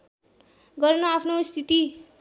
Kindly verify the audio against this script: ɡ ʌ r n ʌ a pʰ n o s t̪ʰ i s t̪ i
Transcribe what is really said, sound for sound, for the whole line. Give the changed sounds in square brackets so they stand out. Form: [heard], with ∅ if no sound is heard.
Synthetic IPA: ɡ ʌ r n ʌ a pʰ n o s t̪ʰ i [∅] t̪ i